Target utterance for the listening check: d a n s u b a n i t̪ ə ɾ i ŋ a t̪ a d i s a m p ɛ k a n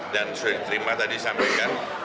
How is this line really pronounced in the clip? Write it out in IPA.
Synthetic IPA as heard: d a n s u d a d i t̪ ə ɾ i m a t̪ a d i s a m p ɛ k a n